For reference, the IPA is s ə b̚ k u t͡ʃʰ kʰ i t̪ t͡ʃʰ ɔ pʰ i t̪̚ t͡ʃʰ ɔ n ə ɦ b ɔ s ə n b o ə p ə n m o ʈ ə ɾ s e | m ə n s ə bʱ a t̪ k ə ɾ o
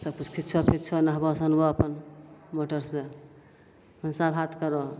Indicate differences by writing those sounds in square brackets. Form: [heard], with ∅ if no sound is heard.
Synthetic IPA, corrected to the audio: s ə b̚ k u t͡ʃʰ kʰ i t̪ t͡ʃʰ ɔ pʰ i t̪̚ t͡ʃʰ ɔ n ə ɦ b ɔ s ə n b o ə p ə n m o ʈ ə ɾ s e | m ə n s [a] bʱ a t̪ k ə ɾ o